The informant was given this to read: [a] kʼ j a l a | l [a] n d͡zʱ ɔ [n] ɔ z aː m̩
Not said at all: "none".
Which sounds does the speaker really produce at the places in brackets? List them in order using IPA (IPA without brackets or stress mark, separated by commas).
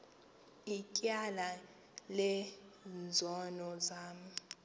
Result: i, ɛ, n